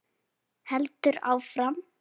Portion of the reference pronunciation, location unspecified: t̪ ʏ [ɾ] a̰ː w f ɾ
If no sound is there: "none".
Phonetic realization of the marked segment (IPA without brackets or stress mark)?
ɾ